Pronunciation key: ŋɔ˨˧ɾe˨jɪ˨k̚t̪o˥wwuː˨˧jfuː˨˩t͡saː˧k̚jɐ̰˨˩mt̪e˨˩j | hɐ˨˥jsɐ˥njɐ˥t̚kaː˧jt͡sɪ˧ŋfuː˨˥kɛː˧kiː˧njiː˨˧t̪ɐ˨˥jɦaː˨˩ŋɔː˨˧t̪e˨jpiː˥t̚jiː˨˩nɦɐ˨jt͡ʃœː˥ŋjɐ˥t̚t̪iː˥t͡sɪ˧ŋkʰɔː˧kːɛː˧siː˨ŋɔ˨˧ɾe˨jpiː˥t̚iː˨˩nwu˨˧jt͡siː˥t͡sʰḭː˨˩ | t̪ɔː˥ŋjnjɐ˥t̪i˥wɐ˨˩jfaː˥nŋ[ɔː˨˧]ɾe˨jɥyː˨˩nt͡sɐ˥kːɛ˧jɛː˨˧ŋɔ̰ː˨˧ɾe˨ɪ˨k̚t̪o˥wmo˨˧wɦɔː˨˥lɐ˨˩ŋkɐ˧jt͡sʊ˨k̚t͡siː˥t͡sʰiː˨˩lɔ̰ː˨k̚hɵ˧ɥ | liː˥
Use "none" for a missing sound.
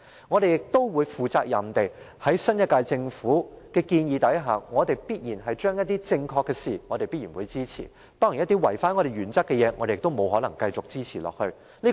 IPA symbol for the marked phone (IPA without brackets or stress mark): ɔ˨˧